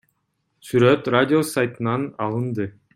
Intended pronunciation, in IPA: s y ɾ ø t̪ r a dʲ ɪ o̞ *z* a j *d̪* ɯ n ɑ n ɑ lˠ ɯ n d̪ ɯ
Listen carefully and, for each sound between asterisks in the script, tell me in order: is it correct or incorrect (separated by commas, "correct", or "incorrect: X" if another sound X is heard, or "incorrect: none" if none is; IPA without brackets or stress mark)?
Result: incorrect: s, incorrect: t̪